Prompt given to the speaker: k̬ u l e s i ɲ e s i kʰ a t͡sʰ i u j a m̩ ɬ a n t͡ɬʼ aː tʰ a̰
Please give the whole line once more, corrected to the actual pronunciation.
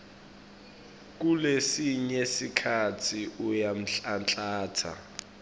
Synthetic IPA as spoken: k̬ u l e s i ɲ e s i kʰ a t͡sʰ i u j a m̩ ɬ a n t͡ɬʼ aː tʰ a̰